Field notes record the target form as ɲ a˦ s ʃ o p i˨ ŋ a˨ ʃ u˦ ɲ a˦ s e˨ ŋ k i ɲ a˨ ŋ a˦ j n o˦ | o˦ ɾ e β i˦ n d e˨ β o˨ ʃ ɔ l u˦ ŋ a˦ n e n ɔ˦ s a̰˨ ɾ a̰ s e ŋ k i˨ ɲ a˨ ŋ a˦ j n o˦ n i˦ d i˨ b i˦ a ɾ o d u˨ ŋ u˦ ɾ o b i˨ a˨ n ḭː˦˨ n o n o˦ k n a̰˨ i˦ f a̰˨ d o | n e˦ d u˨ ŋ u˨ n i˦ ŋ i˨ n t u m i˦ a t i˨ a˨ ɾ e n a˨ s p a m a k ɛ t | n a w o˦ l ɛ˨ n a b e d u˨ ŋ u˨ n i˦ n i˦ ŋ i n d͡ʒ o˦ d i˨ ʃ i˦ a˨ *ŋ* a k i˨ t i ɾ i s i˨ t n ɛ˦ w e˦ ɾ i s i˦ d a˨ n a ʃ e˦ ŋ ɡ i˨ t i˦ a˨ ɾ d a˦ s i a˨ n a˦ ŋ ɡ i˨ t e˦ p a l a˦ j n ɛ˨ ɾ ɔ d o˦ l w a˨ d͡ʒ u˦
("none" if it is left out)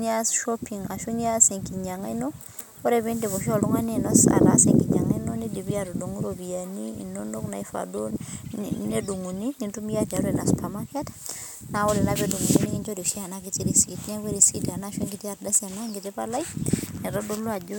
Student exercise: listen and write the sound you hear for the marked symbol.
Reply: n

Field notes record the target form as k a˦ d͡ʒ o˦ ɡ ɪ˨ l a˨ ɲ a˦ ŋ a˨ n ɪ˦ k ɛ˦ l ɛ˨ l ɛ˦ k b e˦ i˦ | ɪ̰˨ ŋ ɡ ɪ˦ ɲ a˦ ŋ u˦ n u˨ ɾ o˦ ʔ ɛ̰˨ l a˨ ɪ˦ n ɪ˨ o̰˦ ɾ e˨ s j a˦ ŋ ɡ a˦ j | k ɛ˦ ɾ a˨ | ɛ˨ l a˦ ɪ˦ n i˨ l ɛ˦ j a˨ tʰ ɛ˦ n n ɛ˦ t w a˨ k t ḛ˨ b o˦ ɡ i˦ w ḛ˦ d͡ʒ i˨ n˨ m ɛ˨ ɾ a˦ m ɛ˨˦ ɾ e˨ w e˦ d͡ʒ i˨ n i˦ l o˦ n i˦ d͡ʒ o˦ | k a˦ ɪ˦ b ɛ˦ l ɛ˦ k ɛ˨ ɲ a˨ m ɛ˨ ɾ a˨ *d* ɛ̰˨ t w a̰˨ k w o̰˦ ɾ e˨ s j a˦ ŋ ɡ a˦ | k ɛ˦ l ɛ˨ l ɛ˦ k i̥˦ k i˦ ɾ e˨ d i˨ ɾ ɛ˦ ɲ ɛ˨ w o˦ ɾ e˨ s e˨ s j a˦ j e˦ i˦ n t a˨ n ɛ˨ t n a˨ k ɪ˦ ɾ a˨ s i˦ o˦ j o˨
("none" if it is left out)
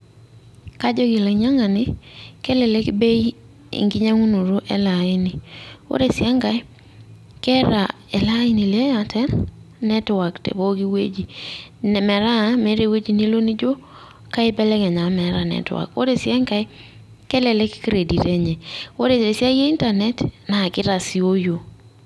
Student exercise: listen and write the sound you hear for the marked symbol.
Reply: n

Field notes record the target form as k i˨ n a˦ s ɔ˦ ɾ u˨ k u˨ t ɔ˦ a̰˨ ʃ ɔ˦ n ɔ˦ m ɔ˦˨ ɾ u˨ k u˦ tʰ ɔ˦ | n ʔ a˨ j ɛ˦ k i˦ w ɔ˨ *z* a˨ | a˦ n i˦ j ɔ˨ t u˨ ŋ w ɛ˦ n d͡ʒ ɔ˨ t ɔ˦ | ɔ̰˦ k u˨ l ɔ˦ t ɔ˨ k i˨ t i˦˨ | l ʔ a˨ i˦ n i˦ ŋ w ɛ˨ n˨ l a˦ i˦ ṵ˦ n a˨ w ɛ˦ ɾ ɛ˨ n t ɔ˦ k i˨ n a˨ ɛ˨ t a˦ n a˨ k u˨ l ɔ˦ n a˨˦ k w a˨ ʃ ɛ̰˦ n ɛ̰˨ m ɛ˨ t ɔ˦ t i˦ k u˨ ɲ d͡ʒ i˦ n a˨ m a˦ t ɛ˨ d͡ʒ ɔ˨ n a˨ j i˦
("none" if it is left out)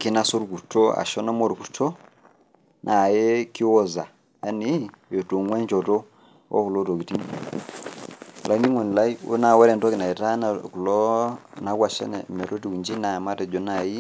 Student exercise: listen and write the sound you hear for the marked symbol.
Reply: z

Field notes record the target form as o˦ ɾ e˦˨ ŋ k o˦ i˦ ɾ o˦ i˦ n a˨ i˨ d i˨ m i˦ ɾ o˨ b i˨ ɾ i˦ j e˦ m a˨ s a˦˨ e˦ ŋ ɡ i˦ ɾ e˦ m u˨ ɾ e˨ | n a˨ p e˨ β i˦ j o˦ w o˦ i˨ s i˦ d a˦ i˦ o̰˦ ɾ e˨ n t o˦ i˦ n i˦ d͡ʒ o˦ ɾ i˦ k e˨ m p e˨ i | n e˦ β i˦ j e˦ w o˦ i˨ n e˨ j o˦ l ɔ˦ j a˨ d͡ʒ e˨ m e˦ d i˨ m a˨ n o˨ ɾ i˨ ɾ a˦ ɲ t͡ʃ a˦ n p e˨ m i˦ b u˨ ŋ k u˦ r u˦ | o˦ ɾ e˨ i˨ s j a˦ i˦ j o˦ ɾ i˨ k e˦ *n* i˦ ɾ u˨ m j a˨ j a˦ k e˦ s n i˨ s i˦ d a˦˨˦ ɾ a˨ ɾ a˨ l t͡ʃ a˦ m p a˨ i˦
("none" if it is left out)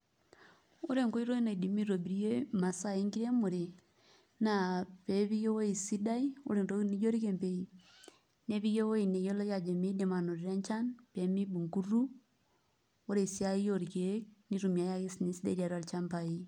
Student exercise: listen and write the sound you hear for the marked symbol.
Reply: n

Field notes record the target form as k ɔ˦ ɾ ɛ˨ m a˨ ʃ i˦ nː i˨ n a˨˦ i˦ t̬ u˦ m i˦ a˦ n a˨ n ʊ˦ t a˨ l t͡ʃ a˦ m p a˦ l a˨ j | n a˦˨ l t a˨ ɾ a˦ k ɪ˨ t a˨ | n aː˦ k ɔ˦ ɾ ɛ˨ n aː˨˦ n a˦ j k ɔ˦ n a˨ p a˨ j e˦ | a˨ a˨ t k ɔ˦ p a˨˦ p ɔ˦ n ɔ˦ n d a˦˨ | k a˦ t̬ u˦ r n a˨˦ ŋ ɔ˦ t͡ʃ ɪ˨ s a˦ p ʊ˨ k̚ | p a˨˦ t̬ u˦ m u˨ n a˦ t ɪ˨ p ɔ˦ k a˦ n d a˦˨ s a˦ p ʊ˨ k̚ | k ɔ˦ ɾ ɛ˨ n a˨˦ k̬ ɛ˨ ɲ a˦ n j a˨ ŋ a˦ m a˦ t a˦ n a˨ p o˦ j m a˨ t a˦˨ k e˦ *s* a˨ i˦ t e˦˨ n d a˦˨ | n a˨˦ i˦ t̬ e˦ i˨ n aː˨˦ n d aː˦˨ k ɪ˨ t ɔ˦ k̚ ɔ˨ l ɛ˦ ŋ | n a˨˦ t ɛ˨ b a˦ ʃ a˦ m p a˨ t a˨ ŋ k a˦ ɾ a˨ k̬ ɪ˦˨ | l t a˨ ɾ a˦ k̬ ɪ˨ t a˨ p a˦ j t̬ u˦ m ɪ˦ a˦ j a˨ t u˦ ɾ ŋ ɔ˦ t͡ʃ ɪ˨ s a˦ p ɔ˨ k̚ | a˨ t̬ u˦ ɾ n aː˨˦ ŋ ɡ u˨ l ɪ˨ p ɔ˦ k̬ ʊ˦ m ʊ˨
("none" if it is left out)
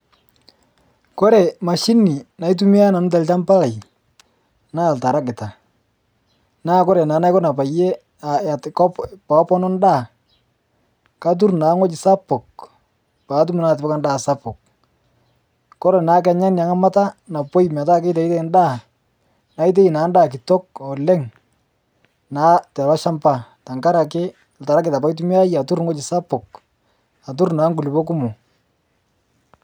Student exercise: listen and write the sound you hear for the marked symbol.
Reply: t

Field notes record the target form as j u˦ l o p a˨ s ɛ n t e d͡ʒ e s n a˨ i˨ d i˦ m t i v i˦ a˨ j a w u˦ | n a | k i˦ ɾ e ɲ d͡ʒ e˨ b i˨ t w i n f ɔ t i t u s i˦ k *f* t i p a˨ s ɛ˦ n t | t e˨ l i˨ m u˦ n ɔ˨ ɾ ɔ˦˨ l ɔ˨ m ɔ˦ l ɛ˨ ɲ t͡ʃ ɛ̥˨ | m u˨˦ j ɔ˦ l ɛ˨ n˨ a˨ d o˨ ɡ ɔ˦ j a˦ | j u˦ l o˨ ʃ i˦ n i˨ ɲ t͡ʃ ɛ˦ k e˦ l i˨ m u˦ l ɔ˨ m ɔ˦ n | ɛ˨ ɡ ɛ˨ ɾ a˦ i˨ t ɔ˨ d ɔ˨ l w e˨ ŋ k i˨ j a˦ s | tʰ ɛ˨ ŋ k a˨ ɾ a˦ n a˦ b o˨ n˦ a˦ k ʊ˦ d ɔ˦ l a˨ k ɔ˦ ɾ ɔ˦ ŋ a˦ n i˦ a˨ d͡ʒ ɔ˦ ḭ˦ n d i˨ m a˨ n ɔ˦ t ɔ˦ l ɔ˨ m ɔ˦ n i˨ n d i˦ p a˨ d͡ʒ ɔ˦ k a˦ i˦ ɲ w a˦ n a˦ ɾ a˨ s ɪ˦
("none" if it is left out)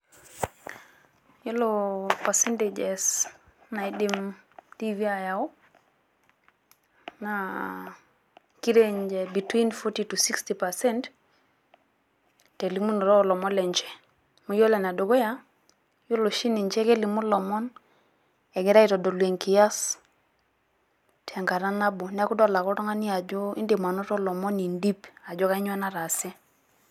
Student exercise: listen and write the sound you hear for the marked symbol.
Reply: s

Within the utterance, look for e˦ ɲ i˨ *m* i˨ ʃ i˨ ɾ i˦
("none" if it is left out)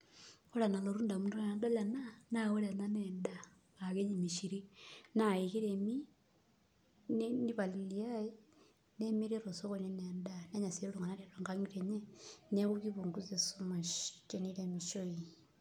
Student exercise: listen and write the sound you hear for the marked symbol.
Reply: m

